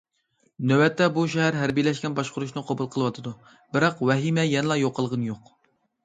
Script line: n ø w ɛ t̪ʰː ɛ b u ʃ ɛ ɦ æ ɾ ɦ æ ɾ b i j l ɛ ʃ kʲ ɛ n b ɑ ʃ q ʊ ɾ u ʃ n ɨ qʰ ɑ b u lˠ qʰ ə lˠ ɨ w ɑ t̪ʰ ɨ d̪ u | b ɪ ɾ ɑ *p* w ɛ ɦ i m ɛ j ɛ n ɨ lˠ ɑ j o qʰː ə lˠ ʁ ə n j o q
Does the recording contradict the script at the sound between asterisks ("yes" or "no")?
yes